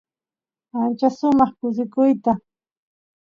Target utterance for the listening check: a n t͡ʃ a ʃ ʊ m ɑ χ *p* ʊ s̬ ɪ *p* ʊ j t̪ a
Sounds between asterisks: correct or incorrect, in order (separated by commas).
incorrect, incorrect